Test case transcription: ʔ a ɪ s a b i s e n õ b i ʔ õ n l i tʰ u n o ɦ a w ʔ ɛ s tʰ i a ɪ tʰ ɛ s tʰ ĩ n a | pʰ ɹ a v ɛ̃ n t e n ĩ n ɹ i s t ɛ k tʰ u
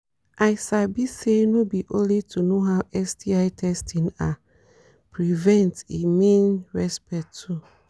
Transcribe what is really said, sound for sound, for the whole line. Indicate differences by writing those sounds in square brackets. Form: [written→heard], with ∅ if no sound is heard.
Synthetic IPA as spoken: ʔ a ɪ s a b i s e n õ b i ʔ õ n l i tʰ u n o ɦ a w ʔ ɛ s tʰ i a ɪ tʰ ɛ s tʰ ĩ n a | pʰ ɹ [a→i] v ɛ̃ n t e [n→m] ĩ n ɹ [i→ɛ] s [t→p] ɛ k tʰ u